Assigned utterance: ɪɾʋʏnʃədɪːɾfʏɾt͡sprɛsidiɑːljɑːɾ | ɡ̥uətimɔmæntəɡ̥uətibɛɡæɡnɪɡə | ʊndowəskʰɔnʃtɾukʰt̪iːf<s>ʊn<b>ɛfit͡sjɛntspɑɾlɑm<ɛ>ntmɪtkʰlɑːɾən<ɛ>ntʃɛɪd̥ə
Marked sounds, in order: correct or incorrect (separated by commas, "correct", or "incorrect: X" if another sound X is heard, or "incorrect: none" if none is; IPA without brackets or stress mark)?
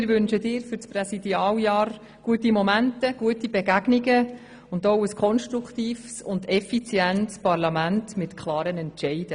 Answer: correct, incorrect: d, incorrect: æ, correct